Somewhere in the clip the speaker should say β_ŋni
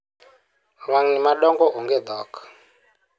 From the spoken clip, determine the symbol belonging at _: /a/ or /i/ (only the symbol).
a